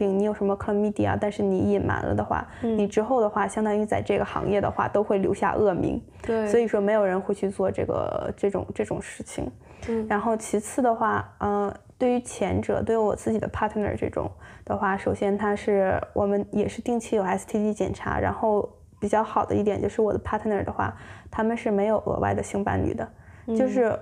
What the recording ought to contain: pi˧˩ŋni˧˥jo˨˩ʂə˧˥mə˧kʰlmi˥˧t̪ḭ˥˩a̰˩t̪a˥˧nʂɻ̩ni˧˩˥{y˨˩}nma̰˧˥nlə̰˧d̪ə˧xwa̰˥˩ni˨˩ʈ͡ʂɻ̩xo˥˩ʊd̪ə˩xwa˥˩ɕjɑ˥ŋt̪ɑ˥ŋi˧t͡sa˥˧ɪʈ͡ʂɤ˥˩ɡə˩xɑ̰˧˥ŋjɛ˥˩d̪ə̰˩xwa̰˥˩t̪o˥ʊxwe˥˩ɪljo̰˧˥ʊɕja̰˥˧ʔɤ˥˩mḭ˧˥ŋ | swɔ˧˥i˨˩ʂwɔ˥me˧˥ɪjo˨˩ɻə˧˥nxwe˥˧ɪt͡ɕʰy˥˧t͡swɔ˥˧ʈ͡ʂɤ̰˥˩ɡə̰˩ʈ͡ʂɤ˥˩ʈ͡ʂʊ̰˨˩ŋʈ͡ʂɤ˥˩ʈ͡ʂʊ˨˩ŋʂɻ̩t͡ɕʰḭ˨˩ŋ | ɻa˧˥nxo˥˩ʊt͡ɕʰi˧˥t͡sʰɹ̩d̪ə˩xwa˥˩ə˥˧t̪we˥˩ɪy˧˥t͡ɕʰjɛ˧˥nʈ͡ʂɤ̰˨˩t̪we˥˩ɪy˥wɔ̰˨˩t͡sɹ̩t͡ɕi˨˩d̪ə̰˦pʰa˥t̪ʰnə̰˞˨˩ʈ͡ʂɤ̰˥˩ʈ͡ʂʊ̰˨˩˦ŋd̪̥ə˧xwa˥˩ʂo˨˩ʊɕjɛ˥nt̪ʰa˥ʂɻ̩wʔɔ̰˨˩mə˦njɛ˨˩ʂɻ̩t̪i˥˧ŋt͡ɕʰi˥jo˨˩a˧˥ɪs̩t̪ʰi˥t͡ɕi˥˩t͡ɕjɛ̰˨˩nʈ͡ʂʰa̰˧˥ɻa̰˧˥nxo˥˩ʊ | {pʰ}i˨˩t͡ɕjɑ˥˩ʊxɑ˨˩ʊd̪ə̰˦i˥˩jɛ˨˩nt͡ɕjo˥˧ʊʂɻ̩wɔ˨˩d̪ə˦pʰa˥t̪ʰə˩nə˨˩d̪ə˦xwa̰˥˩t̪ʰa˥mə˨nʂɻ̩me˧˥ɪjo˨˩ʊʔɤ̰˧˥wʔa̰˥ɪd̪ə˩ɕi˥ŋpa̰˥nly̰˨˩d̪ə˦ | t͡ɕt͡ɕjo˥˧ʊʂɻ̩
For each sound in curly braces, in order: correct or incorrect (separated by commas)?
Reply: incorrect, incorrect